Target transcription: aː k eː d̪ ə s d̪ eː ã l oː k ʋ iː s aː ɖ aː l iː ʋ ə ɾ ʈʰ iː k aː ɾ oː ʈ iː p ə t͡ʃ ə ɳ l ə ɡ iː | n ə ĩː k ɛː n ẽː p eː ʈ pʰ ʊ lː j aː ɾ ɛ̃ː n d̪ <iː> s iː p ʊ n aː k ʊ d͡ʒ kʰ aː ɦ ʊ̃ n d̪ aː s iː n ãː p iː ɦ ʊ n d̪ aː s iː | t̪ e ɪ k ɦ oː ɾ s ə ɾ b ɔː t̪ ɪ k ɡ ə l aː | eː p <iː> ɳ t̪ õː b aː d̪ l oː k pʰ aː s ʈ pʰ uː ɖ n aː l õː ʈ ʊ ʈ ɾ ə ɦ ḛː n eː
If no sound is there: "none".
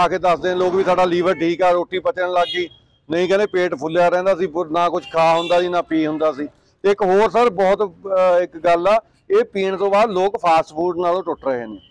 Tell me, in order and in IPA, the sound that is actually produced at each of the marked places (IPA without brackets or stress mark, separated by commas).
aː, iː